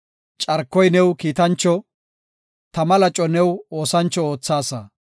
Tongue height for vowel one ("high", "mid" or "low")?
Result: low